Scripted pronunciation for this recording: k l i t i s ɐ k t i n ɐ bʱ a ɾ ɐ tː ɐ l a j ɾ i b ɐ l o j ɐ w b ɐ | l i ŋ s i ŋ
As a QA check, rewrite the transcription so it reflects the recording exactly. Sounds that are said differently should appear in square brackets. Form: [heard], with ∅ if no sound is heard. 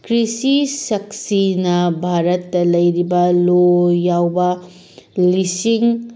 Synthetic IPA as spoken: k [ɾ] i [s] i s ɐ k [s] i n ɐ bʱ a ɾ ɐ tː ɐ l [ɐ] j ɾ i b ɐ l o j [a] w b ɐ | l i [∅] s i ŋ